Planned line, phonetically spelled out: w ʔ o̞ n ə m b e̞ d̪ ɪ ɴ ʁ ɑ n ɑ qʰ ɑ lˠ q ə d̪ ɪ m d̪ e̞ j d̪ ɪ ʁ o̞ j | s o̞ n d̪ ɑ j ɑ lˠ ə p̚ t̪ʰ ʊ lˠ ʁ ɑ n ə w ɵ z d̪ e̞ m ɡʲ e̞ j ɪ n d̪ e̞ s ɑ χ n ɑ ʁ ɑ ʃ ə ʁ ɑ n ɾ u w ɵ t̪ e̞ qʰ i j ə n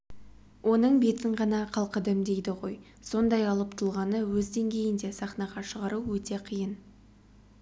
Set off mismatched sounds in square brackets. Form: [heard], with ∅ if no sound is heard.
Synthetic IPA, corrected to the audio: w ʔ o̞ n ə [ɴ] b e̞ [t̪] ɪ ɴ ʁ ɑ n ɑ qʰ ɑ lˠ q ə d̪ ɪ m d̪ e̞ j d̪ ɪ ʁ o̞ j | s o̞ n d̪ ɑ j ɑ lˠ ə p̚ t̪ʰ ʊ lˠ ʁ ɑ n ə w ɵ z d̪ e̞ [ŋ] ɡʲ e̞ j ɪ n d̪ e̞ s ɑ χ n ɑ ʁ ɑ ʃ ə ʁ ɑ [∅] ɾ u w ɵ t̪ e̞ qʰ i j ə n